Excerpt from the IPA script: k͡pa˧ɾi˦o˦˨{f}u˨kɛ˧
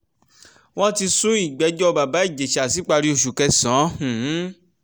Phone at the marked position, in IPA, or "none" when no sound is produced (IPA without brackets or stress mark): ʃ